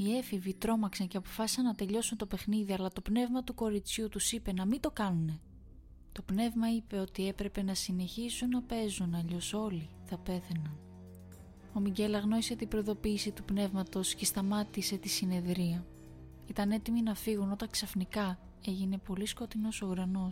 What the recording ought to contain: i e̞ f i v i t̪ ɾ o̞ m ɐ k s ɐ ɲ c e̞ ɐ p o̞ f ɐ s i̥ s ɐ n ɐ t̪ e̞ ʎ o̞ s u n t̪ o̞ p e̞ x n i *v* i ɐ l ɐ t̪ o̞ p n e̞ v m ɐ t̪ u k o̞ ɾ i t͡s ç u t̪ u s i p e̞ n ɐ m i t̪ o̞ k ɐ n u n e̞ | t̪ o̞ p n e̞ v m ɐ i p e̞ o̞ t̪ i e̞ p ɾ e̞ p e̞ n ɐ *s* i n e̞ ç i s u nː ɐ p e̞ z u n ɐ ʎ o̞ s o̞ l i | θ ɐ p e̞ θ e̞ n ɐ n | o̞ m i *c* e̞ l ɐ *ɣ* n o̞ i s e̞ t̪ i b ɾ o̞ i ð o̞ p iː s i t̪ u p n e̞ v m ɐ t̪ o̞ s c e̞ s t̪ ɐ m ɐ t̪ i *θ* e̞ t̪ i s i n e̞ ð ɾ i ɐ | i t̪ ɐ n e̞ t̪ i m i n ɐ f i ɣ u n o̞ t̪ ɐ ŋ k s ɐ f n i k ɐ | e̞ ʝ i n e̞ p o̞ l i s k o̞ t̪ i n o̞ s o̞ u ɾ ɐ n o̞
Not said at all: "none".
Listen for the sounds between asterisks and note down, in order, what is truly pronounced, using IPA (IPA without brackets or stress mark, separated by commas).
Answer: ð, s, ɟ, ɣ, s